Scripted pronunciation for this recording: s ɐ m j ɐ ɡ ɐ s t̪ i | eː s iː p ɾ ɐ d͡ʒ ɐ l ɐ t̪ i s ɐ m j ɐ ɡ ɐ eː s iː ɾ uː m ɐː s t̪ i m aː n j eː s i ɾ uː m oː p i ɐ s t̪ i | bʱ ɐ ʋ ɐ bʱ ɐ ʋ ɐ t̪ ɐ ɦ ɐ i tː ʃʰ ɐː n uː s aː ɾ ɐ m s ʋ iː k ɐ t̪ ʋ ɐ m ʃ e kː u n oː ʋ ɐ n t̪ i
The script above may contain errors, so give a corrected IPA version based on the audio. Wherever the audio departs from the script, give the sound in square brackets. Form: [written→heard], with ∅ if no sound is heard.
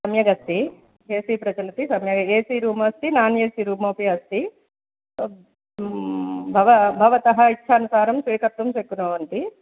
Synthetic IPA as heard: s ɐ m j ɐ ɡ ɐ s t̪ i | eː s iː p ɾ ɐ d͡ʒ ɐ l ɐ t̪ i s ɐ m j ɐ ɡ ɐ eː s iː ɾ uː m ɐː s t̪ i [m→n] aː n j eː s i ɾ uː m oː p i ɐ s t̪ i | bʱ ɐ ʋ ɐ bʱ ɐ ʋ ɐ t̪ ɐ ɦ ɐ i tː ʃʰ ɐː n [uː→u] s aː ɾ ɐ m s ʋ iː k ɐ t̪ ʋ ɐ m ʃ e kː u n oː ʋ ɐ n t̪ i

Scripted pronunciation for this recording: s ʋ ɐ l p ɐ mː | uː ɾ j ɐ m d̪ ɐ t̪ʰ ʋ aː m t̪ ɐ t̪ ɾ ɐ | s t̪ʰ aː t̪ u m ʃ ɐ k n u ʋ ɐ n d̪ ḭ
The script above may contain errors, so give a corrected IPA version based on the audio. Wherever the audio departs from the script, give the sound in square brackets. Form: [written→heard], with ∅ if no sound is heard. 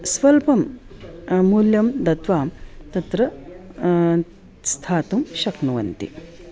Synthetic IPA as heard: s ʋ ɐ l p ɐ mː | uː [ɾ→l] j ɐ m d̪ ɐ [t̪ʰ→t̪] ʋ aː m t̪ ɐ t̪ ɾ ɐ | s t̪ʰ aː t̪ u m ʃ ɐ k n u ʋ ɐ n [d̪→t̪] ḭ

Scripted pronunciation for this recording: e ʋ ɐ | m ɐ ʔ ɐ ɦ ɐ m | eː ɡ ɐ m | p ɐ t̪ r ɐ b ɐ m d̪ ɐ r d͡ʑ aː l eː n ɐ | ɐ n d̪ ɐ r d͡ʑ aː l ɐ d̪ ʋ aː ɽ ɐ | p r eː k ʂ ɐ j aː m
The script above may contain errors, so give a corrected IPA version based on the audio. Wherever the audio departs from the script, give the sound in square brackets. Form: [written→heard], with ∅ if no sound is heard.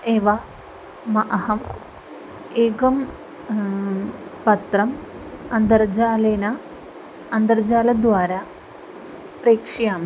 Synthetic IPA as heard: e ʋ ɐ | m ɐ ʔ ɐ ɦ ɐ m | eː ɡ ɐ m | p ɐ t̪ r ɐ [b→m] ɐ [m→n] d̪ ɐ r d͡ʑ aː l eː n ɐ | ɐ n d̪ ɐ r d͡ʑ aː l ɐ d̪ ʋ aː [ɽ→ɾ] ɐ | p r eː k ʂ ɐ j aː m

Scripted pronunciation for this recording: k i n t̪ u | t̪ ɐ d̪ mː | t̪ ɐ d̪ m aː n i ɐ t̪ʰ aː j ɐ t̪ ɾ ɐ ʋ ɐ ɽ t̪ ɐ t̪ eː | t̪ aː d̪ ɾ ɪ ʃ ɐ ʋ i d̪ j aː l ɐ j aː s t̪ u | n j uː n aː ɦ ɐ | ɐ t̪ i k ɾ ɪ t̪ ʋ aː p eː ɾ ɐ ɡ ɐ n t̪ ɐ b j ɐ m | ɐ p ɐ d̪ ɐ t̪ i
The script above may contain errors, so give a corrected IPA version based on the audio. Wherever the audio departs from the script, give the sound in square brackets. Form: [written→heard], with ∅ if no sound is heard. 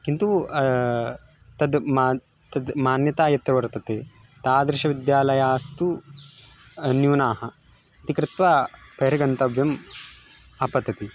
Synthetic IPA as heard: k i n t̪ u | t̪ ɐ d̪ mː | t̪ ɐ d̪ m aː n [i→j] ɐ [t̪ʰ→t̪] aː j ɐ t̪ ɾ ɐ ʋ ɐ [ɽ→ɾ] t̪ ɐ t̪ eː | t̪ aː d̪ ɾ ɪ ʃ ɐ ʋ i d̪ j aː l ɐ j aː s t̪ u | n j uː n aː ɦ ɐ | ɐ t̪ i k ɾ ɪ t̪ ʋ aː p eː ɾ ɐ ɡ ɐ n t̪ ɐ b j ɐ m | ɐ p ɐ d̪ ɐ t̪ i

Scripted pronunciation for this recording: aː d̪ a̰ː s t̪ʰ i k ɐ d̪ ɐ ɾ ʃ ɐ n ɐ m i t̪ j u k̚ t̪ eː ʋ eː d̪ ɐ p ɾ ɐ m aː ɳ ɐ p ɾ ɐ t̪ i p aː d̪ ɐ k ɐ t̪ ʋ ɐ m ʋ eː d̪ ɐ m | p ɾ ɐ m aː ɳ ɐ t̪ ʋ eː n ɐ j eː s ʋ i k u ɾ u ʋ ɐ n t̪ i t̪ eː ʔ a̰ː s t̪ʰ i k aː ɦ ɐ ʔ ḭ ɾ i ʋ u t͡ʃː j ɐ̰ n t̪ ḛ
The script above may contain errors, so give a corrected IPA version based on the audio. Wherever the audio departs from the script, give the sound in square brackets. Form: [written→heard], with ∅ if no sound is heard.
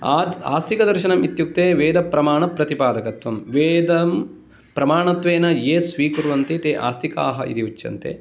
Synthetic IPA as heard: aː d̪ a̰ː s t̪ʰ i k ɐ d̪ ɐ ɾ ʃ ɐ n ɐ m i t̪ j u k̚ t̪ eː ʋ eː d̪ ɐ p ɾ ɐ m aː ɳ ɐ p ɾ ɐ t̪ i p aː d̪ ɐ k ɐ t̪ ʋ ɐ m ʋ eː d̪ ɐ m | p ɾ ɐ m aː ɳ ɐ t̪ ʋ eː n ɐ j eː s ʋ [i→iː] k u ɾ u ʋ ɐ n t̪ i t̪ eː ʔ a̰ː s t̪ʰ i k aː ɦ ɐ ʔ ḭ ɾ i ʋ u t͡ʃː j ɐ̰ n t̪ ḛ

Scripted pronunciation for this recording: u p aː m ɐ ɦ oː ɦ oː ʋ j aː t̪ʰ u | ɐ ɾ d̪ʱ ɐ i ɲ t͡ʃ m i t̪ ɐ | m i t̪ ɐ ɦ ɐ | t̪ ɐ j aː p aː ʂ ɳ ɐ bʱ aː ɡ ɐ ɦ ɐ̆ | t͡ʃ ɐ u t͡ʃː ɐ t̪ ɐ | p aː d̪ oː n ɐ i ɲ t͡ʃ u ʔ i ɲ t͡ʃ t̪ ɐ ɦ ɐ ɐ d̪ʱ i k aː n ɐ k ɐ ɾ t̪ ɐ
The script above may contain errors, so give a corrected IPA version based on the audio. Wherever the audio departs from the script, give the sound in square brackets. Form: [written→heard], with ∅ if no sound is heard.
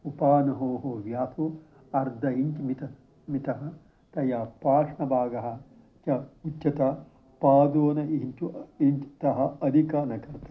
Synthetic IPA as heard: u p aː [m→n] ɐ ɦ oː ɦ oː ʋ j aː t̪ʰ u | ɐ ɾ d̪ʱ ɐ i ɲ t͡ʃ m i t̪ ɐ | m i t̪ ɐ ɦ ɐ | t̪ ɐ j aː p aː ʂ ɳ ɐ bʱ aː ɡ ɐ ɦ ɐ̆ | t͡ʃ ɐ u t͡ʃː ɐ t̪ ɐ | p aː d̪ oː n ɐ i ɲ t͡ʃ u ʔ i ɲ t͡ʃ t̪ ɐ ɦ ɐ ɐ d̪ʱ i k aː n ɐ k ɐ ɾ t̪ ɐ

